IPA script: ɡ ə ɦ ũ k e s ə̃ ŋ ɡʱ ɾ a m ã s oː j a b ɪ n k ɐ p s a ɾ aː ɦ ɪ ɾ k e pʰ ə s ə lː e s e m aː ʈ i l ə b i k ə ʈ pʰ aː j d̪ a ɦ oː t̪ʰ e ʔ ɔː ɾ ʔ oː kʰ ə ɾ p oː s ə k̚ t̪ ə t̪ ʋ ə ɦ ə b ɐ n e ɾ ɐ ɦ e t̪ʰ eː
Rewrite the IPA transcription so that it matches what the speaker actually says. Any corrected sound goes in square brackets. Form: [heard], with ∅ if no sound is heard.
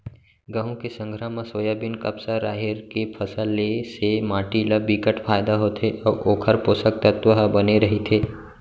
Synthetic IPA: ɡ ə ɦ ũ k e s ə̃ ŋ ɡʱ ɾ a m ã s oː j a b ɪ n k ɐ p s a ɾ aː ɦ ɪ ɾ k e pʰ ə s ə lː e s e m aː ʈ i l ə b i k ə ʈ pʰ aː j d̪ a ɦ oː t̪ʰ e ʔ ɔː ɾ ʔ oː kʰ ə ɾ p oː s ə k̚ t̪ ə t̪ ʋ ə ɦ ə b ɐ n e ɾ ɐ ɦ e t̪ʰ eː

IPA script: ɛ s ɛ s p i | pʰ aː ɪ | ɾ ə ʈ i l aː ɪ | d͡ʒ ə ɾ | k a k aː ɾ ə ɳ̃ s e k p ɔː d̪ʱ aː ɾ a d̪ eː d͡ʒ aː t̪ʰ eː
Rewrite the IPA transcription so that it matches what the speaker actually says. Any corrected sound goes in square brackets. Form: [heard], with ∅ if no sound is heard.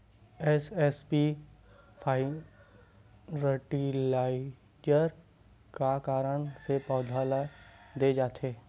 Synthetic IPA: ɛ s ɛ s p i | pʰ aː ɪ | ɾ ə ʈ i l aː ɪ | d͡ʒ ə ɾ | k a k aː ɾ ə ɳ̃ s e [∅] p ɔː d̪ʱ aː [l] a d̪ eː d͡ʒ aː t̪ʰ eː

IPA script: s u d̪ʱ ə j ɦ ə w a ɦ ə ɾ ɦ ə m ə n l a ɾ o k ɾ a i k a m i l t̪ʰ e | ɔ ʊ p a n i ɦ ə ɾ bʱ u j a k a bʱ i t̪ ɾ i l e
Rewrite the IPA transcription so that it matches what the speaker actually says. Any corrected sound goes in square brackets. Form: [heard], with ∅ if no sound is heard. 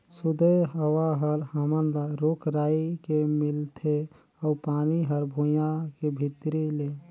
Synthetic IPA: s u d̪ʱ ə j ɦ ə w a ɦ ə ɾ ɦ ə m ə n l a ɾ o k ɾ a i k [e] m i l t̪ʰ e | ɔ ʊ p a n i ɦ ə ɾ bʱ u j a k [e] bʱ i t̪ ɾ i l e

